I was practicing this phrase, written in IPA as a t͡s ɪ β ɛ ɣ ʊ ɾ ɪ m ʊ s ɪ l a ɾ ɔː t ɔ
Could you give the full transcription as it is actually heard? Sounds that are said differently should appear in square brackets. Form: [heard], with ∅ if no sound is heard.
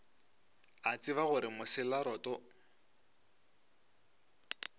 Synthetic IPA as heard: a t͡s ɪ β [a] ɣ ʊ ɾ ɪ m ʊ s ɪ l a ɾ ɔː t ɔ